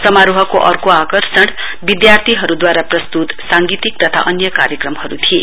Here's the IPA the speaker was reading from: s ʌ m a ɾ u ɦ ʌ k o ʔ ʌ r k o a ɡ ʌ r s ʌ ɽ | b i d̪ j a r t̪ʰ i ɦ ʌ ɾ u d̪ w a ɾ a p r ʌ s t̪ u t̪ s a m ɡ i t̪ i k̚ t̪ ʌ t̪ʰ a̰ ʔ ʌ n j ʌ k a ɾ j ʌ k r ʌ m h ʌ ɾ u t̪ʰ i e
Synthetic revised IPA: s ʌ m a ɾ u ɦ ʌ k o ʔ ʌ r k o a k ʌ r s ʌ ɽ | b i d̪ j a r t̪ʰ i ɦ ʌ ɾ u d̪ w a ɾ a p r ʌ s t̪ u t̪ s a ŋ ɡ i t̪ i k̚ t̪ ʌ t̪ʰ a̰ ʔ ʌ n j ʌ k a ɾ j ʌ k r ʌ m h ʌ ɾ u t̪ʰ i e